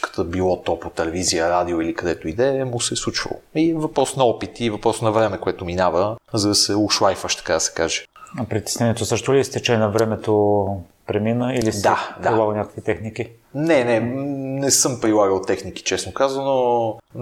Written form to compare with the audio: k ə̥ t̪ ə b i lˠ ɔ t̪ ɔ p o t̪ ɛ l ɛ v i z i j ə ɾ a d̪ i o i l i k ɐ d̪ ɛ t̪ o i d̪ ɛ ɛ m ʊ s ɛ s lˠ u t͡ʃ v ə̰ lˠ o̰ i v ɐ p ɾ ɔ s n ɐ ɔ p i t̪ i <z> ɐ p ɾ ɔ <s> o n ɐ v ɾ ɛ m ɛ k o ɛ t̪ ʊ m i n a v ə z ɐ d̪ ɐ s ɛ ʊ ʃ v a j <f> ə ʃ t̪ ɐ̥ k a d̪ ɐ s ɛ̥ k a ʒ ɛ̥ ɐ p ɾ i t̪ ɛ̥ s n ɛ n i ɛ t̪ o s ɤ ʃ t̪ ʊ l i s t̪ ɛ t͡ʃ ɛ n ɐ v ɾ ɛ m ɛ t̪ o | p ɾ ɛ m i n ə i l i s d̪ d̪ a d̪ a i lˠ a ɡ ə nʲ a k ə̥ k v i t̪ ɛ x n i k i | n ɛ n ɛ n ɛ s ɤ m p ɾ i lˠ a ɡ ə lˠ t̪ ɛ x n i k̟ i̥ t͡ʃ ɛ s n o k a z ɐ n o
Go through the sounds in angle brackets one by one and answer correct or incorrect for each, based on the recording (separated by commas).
incorrect, correct, correct